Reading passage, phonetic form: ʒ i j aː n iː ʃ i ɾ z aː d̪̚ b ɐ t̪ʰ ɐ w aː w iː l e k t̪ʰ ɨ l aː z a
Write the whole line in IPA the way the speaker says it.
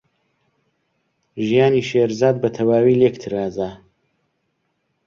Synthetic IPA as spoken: ʒ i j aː n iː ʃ e ɾ z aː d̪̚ b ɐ t̪ʰ ɐ w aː w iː l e k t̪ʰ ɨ ɾ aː z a